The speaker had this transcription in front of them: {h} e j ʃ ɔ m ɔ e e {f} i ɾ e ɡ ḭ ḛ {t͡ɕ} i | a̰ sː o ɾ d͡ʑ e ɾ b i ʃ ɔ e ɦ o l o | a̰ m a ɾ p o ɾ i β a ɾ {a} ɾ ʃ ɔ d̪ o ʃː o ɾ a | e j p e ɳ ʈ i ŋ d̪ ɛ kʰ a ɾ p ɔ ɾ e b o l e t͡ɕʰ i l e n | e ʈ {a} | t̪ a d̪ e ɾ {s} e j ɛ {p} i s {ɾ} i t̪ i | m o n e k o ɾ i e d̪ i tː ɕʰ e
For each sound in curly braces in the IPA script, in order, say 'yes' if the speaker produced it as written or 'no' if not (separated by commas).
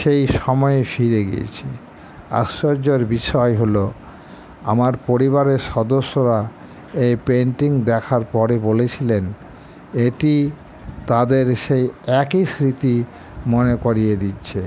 no, yes, no, no, no, no, no, yes